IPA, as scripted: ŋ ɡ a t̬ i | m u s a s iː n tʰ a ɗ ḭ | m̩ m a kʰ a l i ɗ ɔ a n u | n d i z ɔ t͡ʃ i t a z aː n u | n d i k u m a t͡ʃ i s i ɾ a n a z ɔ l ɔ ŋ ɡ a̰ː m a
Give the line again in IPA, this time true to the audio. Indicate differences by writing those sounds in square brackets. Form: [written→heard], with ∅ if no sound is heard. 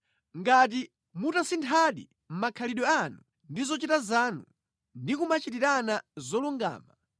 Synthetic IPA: ŋ ɡ a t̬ i | m u [s→t] a s [iː→i] n tʰ a ɗ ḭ | m̩ m a kʰ a l i ɗ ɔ a n u | n d i z ɔ t͡ʃ i t a z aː n u | n d i k u m a t͡ʃ i [s→t] i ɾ a n a z ɔ l [ɔ→u] ŋ ɡ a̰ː m a